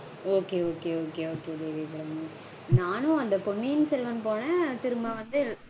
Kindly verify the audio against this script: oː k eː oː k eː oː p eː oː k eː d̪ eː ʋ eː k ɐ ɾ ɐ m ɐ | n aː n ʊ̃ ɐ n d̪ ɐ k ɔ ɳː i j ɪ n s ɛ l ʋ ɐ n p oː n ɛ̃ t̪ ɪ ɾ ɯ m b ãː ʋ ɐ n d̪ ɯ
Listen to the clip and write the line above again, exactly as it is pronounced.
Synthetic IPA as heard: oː k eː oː k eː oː k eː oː k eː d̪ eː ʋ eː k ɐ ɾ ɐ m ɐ | n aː n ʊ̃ ɐ n d̪ ɐ p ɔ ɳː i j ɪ n s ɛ l ʋ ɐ n p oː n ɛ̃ t̪ ɪ ɾ ɯ m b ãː ʋ ɐ n d̪ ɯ